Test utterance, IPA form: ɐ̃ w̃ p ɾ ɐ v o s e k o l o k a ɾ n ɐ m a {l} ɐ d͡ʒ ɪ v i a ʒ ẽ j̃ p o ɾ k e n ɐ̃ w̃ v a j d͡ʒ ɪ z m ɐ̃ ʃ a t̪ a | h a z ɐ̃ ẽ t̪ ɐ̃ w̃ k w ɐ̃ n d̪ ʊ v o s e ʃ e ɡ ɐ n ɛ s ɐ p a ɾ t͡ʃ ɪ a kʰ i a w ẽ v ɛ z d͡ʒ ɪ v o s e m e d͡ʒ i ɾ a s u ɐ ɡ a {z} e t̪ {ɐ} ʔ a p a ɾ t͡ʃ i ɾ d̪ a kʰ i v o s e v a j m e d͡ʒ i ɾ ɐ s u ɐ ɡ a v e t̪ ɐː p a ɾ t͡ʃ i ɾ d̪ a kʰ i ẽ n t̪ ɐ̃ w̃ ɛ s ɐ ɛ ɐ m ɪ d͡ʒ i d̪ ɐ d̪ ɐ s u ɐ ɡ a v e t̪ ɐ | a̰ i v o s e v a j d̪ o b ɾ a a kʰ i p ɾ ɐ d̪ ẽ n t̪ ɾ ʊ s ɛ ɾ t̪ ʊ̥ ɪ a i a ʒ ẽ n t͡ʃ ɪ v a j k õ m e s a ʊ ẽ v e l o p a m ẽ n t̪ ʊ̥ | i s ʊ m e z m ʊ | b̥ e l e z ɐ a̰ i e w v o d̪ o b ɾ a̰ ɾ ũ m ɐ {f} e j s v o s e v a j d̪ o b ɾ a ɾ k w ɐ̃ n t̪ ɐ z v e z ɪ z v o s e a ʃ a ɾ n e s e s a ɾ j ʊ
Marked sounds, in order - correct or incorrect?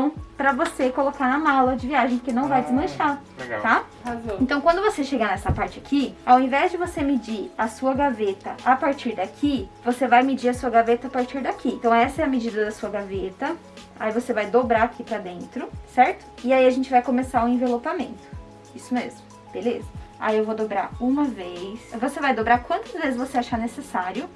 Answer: correct, incorrect: v, correct, incorrect: v

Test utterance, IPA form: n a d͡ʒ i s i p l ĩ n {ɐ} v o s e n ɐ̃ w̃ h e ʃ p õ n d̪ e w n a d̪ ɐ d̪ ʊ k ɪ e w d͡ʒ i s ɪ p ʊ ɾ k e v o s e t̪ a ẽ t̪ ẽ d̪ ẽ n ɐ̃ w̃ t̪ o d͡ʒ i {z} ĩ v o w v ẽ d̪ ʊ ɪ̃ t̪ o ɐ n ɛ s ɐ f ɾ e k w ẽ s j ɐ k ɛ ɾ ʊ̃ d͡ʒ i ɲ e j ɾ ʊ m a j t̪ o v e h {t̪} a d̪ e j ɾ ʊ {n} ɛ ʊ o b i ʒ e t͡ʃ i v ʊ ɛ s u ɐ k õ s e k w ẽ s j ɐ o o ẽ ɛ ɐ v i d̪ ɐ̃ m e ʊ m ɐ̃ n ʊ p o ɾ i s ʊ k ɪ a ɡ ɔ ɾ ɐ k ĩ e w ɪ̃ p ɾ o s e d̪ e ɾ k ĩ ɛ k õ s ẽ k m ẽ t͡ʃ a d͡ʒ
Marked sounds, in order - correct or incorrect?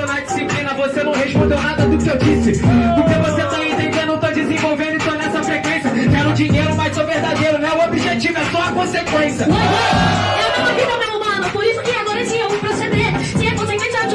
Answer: correct, correct, incorrect: d̪, correct

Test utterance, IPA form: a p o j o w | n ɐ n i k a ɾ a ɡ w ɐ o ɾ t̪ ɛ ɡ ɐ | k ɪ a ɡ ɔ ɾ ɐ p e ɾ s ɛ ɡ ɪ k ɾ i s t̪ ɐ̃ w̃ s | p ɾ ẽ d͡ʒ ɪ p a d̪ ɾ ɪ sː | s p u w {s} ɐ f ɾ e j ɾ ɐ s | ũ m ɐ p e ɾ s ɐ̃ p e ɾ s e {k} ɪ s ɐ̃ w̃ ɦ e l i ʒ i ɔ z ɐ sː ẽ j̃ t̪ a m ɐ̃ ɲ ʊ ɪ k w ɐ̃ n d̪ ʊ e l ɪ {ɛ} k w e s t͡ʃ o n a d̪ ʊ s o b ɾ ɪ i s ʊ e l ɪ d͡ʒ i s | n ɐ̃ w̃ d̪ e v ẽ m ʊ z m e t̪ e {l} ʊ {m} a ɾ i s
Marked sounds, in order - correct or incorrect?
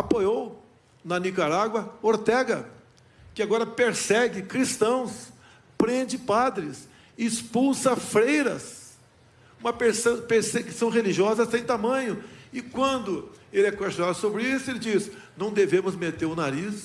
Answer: correct, correct, correct, incorrect: ɾ, incorrect: n

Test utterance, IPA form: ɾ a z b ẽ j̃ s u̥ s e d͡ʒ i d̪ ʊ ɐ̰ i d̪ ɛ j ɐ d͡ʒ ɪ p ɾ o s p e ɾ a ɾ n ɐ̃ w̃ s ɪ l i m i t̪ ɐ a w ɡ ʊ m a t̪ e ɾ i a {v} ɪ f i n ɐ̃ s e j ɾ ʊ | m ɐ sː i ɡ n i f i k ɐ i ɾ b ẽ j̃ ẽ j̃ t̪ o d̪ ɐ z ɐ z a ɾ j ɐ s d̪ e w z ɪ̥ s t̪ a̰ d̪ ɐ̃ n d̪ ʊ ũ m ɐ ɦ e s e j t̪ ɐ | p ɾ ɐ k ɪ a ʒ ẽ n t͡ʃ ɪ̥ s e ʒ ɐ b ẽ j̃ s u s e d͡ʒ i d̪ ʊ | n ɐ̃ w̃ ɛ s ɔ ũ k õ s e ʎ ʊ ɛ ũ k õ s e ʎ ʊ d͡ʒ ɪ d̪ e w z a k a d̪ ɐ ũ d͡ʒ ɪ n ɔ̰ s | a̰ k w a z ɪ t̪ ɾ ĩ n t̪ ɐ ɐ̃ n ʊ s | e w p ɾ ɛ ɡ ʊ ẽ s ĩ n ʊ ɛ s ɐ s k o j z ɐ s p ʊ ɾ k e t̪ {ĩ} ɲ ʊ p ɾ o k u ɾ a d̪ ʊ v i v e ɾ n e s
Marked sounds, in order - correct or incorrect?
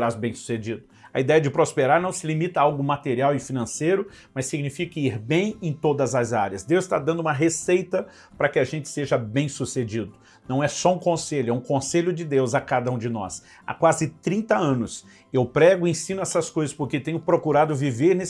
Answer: incorrect: w, incorrect: ẽ

